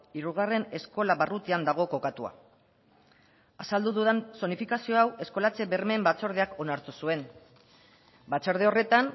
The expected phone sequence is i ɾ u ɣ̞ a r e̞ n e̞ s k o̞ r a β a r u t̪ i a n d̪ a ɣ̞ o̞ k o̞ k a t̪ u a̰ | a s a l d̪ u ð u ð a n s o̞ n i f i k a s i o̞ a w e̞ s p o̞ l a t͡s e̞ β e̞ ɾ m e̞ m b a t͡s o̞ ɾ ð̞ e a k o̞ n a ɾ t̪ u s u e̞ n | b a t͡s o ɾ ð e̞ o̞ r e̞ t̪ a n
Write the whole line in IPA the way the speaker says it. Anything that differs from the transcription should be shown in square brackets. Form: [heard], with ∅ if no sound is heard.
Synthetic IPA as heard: i ɾ u ɣ̞ a r e̞ n e̞ s k o̞ [l] a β a r u t̪ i a n d̪ a ɣ̞ o̞ k o̞ k a t̪ u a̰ | a s a l d̪ u ð u ð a n s o̞ n i f i k a s i o̞ a w e̞ s [k] o̞ l a t͡s e̞ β e̞ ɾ m e̞ m b a t͡s o̞ ɾ ð̞ e a k o̞ n a ɾ t̪ u s u e̞ n | b a t͡s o ɾ ð e̞ o̞ r e̞ t̪ a n